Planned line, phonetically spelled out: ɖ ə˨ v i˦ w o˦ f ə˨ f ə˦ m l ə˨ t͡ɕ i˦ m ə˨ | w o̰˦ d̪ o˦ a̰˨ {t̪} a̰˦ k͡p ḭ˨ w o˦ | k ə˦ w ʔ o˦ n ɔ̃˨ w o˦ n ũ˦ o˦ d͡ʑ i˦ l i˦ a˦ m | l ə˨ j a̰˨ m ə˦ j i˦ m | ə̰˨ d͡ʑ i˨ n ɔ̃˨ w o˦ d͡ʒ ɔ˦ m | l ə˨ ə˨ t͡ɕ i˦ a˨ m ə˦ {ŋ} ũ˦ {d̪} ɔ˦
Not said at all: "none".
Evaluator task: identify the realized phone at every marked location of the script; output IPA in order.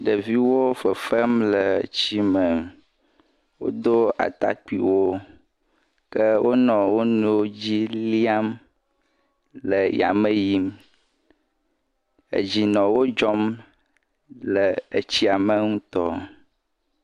t̪, ŋ, t̪

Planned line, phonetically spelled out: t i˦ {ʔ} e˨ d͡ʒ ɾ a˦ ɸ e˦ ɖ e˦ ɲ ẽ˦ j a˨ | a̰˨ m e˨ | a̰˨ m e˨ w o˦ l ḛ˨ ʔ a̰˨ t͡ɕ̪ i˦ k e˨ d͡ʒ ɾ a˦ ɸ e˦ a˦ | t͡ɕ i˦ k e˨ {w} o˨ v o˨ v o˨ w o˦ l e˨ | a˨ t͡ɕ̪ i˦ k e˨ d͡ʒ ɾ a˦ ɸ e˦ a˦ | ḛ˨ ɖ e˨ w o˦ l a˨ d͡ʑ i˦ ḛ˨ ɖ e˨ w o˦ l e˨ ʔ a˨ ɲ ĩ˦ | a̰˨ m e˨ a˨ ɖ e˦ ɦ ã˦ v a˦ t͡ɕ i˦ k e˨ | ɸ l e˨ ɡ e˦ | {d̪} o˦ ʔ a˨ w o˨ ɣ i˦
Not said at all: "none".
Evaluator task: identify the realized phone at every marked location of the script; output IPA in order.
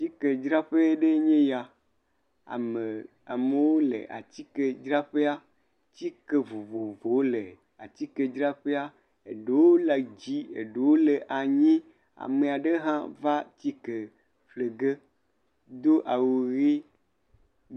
k, v, d̪

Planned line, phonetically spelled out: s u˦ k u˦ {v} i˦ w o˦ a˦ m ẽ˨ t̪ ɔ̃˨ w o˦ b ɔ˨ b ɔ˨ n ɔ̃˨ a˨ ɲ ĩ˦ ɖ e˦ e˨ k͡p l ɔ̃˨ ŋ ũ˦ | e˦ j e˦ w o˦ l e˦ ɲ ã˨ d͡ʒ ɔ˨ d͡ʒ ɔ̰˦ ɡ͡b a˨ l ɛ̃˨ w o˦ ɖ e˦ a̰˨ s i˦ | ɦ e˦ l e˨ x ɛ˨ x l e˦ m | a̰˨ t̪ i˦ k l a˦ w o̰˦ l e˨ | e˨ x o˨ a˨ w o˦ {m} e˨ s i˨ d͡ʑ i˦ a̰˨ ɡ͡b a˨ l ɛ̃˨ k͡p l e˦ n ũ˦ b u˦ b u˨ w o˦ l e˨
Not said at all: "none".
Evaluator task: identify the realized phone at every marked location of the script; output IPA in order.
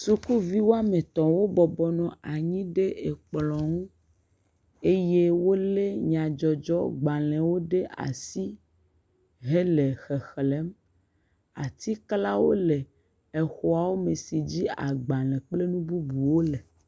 v, m

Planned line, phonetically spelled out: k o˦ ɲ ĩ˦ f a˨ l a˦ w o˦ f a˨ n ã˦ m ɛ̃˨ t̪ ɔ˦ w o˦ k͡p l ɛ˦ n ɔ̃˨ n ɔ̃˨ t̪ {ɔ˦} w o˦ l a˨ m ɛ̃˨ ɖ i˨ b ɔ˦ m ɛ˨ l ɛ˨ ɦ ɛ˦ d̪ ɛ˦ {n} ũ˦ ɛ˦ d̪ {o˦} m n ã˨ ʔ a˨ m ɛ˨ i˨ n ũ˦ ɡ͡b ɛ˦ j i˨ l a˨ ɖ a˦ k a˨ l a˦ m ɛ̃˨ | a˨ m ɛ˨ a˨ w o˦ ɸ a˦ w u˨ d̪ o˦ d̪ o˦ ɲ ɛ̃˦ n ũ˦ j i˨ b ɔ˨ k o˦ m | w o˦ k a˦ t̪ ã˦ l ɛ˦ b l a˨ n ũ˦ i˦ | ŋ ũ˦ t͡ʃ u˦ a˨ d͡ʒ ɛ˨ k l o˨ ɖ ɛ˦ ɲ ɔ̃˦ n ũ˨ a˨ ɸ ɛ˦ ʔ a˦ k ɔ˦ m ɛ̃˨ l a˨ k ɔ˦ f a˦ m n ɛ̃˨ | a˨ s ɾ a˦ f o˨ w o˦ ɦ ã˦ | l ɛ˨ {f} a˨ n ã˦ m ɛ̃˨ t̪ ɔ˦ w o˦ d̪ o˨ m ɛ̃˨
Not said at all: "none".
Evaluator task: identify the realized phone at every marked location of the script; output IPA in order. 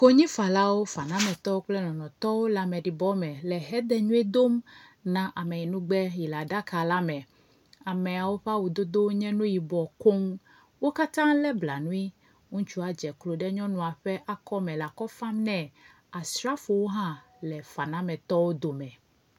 ɔ˦, ɲ, o˦, f

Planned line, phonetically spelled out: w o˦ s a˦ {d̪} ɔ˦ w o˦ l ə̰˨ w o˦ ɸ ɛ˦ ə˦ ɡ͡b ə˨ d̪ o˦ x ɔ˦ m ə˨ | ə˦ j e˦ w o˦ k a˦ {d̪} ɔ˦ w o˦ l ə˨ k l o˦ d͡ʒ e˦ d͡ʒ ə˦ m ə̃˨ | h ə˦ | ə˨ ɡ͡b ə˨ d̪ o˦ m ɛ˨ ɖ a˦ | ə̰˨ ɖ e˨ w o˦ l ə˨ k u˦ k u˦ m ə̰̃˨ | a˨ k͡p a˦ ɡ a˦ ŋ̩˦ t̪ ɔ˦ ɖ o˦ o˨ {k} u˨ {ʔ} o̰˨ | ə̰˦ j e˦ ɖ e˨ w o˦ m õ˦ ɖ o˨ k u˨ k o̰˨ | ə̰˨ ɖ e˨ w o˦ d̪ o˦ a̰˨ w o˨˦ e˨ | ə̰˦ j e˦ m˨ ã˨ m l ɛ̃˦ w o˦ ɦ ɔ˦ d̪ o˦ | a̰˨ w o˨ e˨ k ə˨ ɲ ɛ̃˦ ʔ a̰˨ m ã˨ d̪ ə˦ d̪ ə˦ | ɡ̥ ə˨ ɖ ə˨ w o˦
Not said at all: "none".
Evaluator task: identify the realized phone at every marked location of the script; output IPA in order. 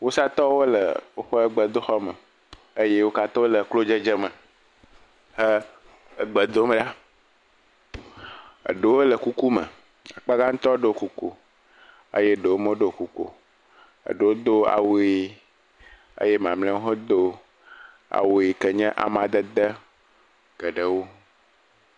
t̪, t̪, k, k

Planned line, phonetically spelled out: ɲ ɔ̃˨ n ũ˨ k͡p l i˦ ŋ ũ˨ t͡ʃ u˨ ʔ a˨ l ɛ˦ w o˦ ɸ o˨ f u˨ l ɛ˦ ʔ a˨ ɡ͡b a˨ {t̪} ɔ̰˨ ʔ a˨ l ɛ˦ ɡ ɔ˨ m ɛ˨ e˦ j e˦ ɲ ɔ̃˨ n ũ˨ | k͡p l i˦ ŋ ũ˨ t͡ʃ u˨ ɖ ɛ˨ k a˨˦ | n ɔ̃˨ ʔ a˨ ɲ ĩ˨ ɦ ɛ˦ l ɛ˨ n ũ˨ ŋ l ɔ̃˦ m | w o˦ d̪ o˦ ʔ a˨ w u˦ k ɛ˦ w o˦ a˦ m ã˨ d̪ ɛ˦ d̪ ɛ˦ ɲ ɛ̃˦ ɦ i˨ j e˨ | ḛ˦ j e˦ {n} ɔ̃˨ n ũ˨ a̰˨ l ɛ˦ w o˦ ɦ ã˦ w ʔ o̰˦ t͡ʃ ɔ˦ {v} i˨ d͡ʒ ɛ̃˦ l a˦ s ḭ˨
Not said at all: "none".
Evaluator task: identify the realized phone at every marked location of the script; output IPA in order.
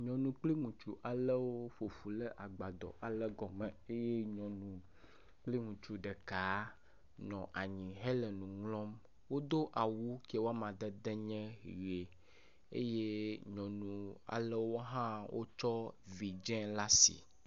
d̪, ɲ, v

